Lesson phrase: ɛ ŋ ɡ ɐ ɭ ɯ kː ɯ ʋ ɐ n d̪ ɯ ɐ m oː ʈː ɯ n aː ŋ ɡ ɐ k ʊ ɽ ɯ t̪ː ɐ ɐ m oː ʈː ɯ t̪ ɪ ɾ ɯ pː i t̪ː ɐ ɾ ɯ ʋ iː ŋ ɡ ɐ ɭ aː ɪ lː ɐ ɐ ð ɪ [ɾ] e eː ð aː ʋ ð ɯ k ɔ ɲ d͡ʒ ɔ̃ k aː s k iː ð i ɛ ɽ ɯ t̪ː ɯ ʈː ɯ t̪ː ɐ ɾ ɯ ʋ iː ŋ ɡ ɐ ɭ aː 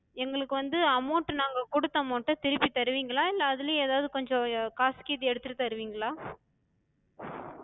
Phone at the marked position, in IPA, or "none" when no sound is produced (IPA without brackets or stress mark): l